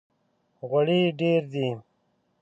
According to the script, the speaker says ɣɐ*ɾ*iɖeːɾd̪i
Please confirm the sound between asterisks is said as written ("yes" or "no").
no